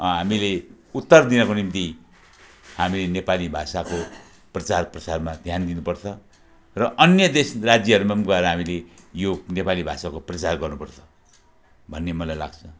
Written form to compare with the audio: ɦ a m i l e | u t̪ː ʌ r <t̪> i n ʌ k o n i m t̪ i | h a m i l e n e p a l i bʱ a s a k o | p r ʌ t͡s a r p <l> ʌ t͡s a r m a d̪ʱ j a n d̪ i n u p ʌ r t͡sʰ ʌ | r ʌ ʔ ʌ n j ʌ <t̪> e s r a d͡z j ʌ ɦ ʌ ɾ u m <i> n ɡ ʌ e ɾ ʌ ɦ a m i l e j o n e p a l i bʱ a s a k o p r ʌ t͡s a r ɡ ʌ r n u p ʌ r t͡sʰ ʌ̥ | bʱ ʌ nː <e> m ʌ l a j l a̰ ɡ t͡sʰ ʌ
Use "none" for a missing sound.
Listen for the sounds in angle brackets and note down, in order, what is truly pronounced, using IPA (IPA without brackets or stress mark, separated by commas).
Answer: d̪, r, d̪, a, e